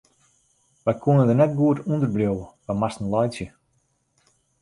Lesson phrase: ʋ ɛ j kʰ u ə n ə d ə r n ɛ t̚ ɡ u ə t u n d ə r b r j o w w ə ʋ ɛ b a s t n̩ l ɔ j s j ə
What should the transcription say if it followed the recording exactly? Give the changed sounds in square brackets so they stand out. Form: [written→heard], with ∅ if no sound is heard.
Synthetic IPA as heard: ʋ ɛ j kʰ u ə n ə d ə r n ɛ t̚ ɡ u ə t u n d ə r b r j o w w ə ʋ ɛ [b→m] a s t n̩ l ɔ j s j ə